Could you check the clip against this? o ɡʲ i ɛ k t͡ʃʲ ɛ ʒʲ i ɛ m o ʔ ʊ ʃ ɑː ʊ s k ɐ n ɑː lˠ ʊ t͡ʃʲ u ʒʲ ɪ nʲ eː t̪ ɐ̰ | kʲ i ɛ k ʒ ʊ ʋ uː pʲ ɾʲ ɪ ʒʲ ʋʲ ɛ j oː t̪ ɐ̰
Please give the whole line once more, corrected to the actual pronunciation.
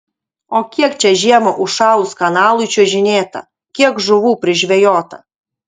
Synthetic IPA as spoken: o kʲ i ɛ k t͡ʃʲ ɛ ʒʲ i ɛ m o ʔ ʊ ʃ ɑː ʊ s k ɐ n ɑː lˠ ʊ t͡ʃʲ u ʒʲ ɪ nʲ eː t̪ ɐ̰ | kʲ i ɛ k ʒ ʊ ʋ uː pʲ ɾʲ ɪ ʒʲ ʋʲ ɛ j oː t̪ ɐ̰